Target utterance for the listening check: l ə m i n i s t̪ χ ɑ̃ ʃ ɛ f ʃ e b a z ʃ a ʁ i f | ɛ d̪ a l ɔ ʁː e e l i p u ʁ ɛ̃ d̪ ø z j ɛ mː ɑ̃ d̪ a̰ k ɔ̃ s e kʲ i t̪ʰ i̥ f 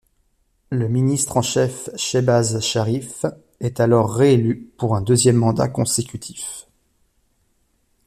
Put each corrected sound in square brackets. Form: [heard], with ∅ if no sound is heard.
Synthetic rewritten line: l ə m i n i s t̪ χ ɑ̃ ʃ ɛ f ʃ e b a z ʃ a ʁ i f | ɛ [t̪] a l ɔ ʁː e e l [y] p u ʁ ɛ̃ d̪ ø z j ɛ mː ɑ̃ d̪ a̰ k ɔ̃ s e kʲ [y] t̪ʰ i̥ f